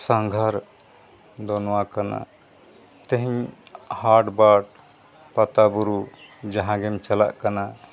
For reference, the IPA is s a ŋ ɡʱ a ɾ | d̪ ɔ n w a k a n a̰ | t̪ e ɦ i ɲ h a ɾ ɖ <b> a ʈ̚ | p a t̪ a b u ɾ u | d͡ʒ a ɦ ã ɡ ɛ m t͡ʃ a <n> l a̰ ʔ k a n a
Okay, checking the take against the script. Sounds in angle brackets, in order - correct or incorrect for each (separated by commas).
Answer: correct, incorrect